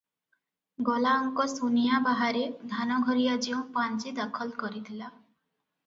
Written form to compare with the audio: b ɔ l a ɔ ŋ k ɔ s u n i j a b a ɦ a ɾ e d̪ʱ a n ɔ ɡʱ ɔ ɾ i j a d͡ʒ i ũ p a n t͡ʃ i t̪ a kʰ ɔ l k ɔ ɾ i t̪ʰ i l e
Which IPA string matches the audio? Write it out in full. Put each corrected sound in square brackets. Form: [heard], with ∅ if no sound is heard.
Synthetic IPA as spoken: [ɡ] ɔ l a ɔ ŋ k ɔ s u n i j a b a ɦ a ɾ e d̪ʱ a n ɔ ɡʱ ɔ ɾ i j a d͡ʒ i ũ p a n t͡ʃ i [d̪] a kʰ ɔ l k ɔ ɾ i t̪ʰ i l [a]